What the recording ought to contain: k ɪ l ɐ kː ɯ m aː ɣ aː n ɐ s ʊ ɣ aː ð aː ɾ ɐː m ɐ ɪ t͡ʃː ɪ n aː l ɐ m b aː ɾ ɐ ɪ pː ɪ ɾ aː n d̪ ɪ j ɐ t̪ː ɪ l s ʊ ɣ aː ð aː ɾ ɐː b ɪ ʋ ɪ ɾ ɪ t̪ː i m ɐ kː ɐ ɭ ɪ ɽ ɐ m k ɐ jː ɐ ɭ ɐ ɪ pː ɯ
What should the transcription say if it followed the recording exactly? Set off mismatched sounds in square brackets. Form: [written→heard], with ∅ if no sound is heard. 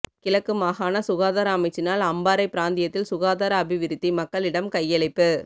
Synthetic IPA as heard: k ɪ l ɐ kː ɯ m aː ɣ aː n ɐ s ʊ ɣ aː ð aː ɾ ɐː m ɐ ɪ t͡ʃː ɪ n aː l ɐ m b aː ɾ ɐ ɪ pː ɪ ɾ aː n d̪ ɪ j ɐ t̪ː ɪ l s ʊ ɣ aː ð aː ɾ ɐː b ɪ ʋ ɪ ɾ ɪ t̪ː i m ɐ kː ɐ ɭ ɪ ɽ ɐ m k ɐ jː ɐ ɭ ɐ ɪ pː ɯ